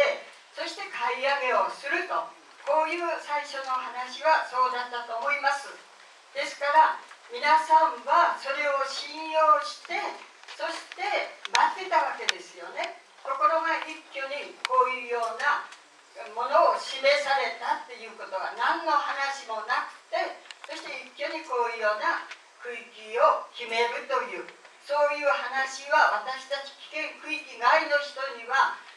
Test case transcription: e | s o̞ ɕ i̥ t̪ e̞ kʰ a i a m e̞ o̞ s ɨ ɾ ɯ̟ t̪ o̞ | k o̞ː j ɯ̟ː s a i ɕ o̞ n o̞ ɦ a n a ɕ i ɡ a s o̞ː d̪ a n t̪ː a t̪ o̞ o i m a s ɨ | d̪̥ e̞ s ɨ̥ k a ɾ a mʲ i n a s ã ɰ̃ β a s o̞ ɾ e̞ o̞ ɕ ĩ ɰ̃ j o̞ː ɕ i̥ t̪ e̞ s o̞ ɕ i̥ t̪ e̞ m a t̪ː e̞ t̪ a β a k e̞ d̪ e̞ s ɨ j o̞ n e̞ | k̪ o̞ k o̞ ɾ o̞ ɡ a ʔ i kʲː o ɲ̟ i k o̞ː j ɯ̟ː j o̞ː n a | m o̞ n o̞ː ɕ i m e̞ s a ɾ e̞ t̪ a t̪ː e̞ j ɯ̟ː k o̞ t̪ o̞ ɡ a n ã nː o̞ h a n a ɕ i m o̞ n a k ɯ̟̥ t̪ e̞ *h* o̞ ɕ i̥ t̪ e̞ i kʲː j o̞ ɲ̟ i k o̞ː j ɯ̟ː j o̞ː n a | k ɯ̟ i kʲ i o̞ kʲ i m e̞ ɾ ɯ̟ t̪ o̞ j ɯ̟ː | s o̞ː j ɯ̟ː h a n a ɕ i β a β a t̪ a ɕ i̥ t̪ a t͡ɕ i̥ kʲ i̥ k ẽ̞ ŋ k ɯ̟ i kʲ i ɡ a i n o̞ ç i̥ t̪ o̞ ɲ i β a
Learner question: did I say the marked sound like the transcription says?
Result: no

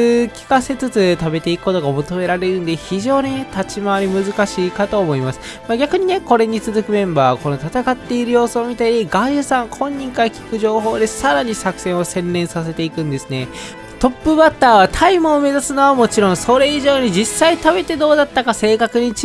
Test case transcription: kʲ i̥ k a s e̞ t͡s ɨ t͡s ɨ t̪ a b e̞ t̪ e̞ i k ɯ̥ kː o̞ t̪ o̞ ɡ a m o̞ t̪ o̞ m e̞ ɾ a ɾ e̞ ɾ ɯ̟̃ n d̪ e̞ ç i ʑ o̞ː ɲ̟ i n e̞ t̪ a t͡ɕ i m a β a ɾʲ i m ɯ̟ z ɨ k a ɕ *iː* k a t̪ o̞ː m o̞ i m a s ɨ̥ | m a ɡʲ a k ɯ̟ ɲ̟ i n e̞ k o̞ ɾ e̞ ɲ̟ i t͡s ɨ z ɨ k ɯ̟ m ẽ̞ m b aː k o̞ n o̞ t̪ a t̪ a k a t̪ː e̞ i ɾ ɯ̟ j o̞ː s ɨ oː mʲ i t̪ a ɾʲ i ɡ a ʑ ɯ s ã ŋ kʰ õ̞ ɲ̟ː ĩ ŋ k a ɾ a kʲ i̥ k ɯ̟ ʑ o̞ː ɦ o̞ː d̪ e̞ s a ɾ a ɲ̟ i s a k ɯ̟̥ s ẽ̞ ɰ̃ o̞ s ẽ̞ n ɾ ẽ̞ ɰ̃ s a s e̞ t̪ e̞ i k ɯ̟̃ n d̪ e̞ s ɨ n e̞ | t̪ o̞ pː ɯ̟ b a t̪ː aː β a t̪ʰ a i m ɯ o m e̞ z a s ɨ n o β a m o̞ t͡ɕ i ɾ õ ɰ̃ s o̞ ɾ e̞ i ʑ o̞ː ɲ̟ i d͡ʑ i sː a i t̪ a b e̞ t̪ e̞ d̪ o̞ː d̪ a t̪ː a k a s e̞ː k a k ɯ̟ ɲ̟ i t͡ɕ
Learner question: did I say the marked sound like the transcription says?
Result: yes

